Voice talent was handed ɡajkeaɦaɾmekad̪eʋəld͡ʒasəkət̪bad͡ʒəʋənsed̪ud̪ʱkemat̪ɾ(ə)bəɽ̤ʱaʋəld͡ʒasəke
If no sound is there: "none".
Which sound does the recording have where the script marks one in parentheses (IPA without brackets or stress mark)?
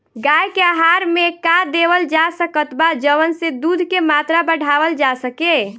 a